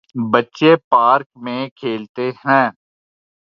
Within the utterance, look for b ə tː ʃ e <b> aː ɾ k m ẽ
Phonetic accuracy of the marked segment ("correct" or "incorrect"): incorrect